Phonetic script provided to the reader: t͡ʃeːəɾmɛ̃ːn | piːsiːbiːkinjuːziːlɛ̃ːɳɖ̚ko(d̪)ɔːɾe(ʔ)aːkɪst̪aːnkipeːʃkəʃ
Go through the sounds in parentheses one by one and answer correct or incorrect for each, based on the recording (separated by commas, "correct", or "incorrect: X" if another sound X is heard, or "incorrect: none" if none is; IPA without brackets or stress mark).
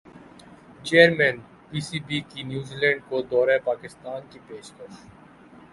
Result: correct, incorrect: p